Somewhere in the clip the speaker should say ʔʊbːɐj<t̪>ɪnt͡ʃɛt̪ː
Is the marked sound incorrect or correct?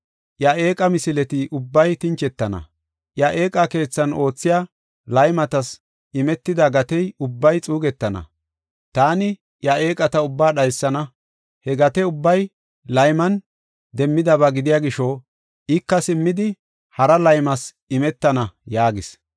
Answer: correct